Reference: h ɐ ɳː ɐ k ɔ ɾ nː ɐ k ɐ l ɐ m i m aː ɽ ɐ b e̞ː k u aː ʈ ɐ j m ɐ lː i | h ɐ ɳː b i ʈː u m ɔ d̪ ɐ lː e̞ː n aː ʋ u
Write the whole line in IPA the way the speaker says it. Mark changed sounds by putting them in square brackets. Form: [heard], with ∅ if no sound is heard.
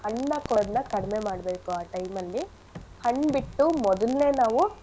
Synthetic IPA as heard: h ɐ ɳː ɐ k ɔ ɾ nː ɐ k ɐ [ɽ] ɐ m [e] m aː ɽ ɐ b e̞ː k u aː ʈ ɐ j m ɐ lː i | h ɐ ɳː b i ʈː u m ɔ d̪ ɐ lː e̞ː n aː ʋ u